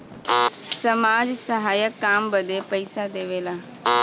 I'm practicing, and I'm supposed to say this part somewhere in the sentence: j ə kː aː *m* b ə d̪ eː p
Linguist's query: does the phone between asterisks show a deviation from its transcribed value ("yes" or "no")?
no